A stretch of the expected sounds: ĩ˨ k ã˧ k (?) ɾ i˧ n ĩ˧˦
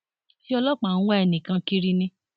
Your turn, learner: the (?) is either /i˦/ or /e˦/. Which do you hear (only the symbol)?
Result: i˦